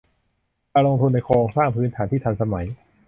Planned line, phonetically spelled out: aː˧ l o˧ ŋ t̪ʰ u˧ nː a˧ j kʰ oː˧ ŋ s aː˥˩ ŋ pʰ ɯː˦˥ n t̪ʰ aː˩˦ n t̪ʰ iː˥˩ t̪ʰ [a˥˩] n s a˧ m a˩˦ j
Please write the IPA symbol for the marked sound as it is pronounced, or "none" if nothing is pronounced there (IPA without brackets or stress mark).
a˧